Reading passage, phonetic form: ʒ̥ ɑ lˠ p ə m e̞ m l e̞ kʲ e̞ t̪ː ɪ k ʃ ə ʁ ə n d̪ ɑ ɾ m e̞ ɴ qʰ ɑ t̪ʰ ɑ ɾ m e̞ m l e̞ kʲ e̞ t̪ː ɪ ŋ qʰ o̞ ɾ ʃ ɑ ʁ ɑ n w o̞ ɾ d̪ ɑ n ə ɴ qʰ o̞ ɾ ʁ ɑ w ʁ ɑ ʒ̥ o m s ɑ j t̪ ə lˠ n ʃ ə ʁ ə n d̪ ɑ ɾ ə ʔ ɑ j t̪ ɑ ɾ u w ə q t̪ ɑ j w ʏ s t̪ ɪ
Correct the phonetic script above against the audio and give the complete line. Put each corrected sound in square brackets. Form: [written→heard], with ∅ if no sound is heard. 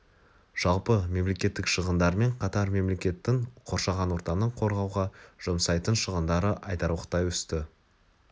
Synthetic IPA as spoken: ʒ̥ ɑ lˠ p ə m e̞ m l e̞ kʲ e̞ t̪ː ɪ k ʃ ə ʁ ə n d̪ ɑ ɾ m e̞ ɴ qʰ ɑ [t̪ʰ→t̪] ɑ ɾ m e̞ m l e̞ kʲ e̞ t̪ː ɪ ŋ qʰ o̞ ɾ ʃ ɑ ʁ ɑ n w o̞ ɾ [d̪→t̪] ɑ n ə ɴ qʰ o̞ ɾ ʁ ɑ w ʁ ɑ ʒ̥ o m s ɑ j t̪ ə [lˠ→∅] n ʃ ə ʁ ə n d̪ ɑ ɾ ə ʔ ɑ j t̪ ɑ ɾ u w ə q t̪ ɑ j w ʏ s t̪ ɪ